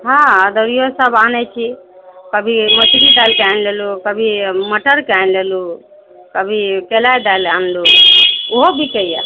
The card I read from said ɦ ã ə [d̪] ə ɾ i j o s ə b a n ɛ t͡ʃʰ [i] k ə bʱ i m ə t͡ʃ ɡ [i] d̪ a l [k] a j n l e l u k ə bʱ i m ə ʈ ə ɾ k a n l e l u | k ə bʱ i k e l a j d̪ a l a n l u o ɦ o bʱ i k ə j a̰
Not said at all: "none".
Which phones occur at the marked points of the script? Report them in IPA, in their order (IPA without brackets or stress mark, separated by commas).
d̪, i, i, k